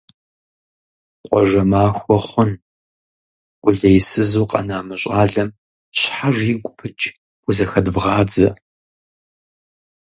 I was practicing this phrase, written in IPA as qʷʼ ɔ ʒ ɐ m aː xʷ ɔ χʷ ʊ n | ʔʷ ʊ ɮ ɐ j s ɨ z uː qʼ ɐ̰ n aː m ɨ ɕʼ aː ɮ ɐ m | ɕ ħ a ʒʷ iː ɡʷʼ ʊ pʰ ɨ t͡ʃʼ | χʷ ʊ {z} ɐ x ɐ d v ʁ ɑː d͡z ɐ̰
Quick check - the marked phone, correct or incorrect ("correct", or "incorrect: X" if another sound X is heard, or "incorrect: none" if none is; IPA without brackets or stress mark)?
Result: correct